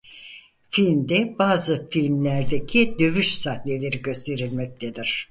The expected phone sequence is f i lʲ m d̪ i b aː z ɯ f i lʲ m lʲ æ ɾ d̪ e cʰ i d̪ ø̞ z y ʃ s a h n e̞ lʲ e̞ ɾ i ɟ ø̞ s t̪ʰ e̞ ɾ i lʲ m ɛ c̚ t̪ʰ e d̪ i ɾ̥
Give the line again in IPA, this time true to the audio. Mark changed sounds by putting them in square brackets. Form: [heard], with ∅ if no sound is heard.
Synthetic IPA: f i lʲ m d̪ [ɛ] b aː z ɯ f i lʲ m lʲ æ ɾ d̪ e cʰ i d̪ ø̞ [v] y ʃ s a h n e̞ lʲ e̞ ɾ i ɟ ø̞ s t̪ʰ e̞ ɾ i lʲ m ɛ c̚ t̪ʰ e d̪ i ɾ̥